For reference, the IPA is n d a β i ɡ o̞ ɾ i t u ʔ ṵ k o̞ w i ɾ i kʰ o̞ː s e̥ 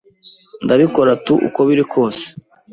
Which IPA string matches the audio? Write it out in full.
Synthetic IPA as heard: n d a β i k o̞ ɾ a t u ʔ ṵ k o̞ β i ɾ i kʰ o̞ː s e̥